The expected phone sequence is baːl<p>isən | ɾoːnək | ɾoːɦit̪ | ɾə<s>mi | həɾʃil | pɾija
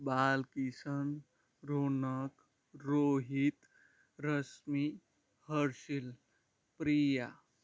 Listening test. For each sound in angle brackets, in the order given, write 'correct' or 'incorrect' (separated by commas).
incorrect, correct